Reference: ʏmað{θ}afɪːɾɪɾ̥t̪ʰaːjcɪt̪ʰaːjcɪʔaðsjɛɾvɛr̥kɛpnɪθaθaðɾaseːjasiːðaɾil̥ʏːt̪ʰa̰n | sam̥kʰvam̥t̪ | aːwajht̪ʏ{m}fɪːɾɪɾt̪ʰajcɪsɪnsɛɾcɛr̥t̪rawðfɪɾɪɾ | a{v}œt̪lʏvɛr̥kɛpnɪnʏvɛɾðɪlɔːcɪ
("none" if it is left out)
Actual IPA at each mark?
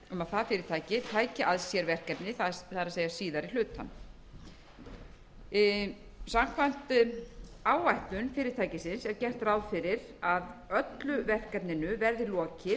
θ, n, ð

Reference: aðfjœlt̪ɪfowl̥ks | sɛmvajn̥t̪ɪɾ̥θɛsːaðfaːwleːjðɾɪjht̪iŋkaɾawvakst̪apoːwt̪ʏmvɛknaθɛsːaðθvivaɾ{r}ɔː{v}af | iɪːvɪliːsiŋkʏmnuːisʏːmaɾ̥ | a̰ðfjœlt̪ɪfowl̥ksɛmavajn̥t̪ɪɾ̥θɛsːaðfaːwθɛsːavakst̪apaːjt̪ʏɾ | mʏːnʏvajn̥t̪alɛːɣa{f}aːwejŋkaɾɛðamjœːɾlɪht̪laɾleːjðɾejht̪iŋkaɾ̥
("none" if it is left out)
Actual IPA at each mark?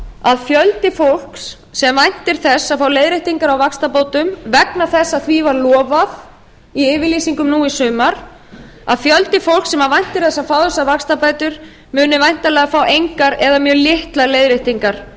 l, v, f

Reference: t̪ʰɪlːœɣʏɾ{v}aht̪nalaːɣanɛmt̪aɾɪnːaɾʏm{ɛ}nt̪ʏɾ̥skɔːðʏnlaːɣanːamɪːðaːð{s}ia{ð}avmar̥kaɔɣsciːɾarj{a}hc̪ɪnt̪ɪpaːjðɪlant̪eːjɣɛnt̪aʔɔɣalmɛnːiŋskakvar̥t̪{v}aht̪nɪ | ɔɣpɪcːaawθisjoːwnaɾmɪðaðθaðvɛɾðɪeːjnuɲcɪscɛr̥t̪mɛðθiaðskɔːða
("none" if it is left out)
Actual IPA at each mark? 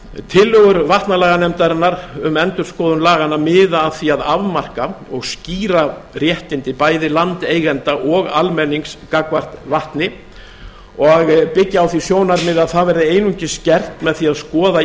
v, ɛ, θ, ð, ɛ, v

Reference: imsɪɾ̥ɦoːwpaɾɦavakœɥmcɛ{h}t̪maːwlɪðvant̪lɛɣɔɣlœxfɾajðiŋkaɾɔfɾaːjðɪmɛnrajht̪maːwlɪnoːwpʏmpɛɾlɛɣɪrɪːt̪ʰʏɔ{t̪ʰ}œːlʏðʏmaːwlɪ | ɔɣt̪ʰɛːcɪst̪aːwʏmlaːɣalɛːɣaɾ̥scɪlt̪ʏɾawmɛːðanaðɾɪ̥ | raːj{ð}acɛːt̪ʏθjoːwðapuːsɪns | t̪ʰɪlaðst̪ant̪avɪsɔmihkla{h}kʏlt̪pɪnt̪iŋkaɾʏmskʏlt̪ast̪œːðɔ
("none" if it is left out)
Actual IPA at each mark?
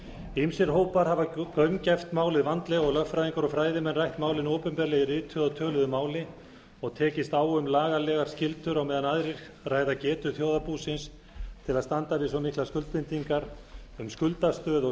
f, t̪ʰ, ð, s

